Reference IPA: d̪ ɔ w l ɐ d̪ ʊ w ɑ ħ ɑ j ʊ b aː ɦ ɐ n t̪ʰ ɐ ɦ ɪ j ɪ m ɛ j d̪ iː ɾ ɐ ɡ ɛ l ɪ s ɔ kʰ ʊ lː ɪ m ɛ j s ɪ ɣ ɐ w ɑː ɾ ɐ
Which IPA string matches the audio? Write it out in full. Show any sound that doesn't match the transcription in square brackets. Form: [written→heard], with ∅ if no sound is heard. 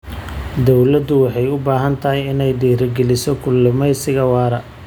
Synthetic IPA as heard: d̪ ɔ w l ɐ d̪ ʊ w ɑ ħ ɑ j ʊ b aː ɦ ɐ n t̪ʰ ɐ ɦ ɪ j ɪ [m→n] ɛ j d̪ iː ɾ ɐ ɡ ɛ l ɪ s ɔ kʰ ʊ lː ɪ m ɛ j s ɪ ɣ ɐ w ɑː ɾ ɐ